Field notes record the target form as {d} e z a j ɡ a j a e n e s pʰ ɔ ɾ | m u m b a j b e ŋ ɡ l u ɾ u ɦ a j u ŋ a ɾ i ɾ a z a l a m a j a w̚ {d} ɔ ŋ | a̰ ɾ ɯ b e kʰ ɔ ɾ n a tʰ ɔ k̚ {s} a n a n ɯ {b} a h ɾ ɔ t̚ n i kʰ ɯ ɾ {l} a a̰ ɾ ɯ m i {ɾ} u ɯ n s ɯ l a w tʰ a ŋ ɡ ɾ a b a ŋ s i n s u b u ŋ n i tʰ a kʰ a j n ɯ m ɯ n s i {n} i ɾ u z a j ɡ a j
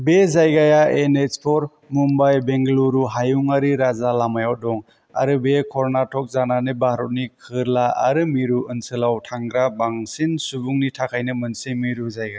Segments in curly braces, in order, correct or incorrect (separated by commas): incorrect, correct, incorrect, correct, correct, correct, incorrect